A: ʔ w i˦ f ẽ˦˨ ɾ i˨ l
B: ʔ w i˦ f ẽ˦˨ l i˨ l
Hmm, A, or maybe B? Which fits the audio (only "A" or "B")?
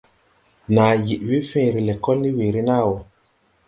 A